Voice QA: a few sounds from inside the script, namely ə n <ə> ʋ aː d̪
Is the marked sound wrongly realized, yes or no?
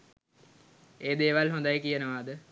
no